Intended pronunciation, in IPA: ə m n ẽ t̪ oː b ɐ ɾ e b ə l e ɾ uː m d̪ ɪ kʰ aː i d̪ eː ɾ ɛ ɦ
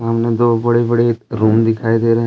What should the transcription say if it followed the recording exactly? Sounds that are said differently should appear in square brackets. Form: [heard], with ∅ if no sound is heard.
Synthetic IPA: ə m n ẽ [d̪] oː b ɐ [ɽ] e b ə [ɽ] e ɾ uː m d̪ ɪ kʰ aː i d̪ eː ɾ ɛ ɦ

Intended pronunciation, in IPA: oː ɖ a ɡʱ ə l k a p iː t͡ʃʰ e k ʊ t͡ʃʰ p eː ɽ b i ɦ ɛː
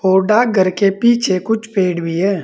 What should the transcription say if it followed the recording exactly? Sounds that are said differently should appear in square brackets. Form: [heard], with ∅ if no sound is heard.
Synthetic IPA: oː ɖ a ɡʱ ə [ɾ] k [e] p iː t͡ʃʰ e k ʊ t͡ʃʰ p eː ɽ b i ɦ ɛː

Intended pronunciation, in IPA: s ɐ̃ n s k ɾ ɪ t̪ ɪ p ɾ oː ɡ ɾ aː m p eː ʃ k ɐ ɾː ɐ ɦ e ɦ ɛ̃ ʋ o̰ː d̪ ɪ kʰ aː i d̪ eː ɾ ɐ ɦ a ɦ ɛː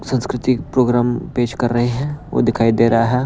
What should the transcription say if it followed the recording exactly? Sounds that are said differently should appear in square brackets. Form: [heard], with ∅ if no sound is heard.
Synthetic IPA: s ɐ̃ n s k ɾ ɪ t̪ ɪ p ɾ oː ɡ ɾ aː m p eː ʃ k ɐ ɾː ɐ ɦ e ɦ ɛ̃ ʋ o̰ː d̪ ɪ kʰ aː i d̪ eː ɾ ɐ ɦ a ɦ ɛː

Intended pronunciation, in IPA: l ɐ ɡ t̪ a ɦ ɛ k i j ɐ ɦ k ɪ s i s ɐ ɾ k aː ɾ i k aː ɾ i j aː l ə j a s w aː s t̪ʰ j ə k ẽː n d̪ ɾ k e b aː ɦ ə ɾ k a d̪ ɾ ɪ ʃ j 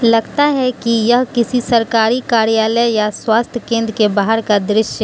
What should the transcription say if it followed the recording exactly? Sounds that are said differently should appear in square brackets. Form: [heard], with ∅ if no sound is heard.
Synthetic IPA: l ɐ ɡ t̪ a ɦ ɛ k i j ɐ ɦ k ɪ s i s ɐ ɾ k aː ɾ i k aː ɾ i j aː l ə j a s w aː s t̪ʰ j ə k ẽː n d̪ ɾ k e b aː ɦ ə ɾ k a d̪ ɾ ɪ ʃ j

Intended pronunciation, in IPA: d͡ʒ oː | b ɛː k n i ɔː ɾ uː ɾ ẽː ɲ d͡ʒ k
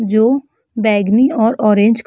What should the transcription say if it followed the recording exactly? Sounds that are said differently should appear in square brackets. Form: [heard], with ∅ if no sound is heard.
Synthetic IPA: d͡ʒ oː | b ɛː [ɡ] n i ɔː ɾ [ɔː] ɾ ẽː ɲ d͡ʒ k

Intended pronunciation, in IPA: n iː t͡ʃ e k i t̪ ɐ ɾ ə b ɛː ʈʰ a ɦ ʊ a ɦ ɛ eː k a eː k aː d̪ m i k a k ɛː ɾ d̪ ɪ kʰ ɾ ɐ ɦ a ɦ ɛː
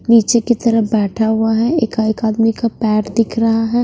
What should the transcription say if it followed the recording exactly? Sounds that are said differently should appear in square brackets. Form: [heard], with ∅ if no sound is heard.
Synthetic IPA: n iː t͡ʃ e k i t̪ ɐ ɾ ə b ɛː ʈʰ a ɦ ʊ a ɦ ɛ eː k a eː k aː d̪ m i k a [p] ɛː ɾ d̪ ɪ kʰ ɾ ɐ ɦ a ɦ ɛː

